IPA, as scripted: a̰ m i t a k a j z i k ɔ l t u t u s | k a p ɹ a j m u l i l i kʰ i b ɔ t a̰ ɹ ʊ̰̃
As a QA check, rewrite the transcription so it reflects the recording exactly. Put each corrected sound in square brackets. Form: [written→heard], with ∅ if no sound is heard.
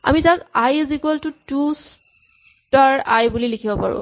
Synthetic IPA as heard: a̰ m i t a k a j z i k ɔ l t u t u s | [k→t] a [p→∅] ɹ a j [m→b] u l i l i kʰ i b ɔ [t→p] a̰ ɹ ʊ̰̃